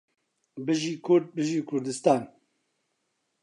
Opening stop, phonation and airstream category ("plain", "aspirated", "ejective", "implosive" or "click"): plain